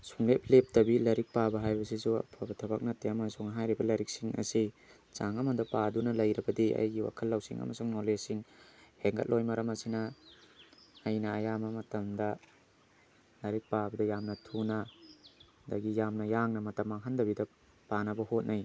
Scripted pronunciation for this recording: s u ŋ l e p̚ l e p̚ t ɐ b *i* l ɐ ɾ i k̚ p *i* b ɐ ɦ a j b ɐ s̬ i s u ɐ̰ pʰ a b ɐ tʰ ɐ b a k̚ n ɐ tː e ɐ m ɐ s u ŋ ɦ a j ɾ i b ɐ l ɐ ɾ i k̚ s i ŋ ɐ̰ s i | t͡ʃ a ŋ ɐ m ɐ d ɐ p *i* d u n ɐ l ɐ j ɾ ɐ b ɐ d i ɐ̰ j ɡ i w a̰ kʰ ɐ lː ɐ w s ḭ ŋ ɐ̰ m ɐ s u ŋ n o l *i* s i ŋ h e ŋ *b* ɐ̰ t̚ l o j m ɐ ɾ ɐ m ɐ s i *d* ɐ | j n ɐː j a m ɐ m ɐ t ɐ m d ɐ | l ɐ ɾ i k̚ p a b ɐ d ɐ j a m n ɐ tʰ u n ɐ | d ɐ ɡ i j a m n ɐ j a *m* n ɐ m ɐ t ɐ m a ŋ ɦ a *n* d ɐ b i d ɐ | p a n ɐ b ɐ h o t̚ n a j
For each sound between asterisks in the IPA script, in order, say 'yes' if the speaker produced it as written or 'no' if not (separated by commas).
yes, no, no, no, no, no, no, yes